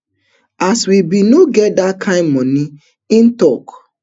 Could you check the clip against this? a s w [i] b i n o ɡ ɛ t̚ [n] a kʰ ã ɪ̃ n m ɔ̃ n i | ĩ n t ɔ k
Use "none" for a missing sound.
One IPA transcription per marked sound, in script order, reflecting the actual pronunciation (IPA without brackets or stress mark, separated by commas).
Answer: i, d